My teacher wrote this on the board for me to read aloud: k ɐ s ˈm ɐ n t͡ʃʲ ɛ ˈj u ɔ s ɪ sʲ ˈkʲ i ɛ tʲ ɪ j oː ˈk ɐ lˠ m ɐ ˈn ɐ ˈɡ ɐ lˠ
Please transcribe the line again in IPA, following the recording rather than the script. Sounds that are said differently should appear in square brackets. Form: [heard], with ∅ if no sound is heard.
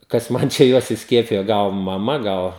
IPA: k ɐ s ˈm ɐ n t͡ʃʲ ɛ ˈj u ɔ s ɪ sʲ ˈkʲ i ɛ [pʲ] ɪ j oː [ˈɡ] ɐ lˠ m ɐ [ˈm] ɐ ˈɡ ɐ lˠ